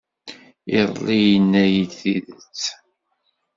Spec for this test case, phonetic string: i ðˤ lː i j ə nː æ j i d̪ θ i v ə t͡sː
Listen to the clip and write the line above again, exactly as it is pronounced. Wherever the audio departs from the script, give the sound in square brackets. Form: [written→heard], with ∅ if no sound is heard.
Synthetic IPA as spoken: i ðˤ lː i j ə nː æ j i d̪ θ i [v→ð] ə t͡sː